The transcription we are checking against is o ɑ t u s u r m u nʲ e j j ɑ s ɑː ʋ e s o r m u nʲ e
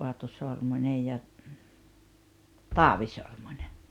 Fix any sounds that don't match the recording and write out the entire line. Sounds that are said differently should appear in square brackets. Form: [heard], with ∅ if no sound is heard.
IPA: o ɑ t u s [o] r m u nʲ e j j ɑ [t] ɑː ʋ [i] s o r m u nʲ e